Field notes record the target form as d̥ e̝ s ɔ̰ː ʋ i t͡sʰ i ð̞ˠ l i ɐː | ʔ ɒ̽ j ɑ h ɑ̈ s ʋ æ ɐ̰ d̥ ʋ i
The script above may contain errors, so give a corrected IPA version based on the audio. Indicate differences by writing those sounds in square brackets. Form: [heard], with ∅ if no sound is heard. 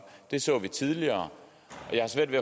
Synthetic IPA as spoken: d̥ e̝ s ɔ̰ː ʋ i t͡sʰ i ð̞ˠ l i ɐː | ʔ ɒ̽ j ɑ h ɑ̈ s ʋ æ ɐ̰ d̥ ʋ [e]